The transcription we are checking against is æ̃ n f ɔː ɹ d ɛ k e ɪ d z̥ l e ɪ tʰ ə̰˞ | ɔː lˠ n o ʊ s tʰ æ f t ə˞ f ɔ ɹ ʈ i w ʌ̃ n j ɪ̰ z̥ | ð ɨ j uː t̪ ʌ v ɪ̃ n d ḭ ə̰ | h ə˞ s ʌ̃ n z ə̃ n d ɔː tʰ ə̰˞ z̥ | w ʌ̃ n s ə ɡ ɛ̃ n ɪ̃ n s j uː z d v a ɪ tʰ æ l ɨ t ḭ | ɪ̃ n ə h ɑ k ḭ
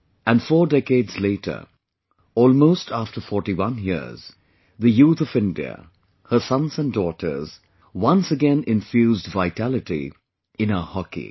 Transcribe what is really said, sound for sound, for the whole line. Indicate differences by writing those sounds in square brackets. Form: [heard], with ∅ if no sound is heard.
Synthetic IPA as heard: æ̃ n f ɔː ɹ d ɛ k e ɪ d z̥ l e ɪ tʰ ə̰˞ | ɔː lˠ [m] o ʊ s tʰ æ f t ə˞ f ɔ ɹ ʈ i w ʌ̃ n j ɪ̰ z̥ | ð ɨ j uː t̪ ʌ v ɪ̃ n d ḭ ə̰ | h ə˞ s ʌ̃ n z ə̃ n d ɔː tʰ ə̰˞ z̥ | w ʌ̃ n s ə ɡ ɛ̃ n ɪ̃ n [f] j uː z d v a ɪ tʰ æ l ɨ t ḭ | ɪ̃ n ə h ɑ k ḭ